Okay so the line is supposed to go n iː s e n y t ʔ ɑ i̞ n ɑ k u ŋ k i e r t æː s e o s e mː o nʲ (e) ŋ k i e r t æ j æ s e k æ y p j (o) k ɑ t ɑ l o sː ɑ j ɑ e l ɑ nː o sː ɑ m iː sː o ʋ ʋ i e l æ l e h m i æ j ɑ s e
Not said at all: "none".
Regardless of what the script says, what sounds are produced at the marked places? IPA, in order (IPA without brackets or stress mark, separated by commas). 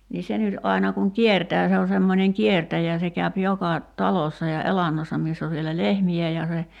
e, o